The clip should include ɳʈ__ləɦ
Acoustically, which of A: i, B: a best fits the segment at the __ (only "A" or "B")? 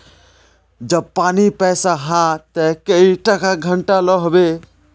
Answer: B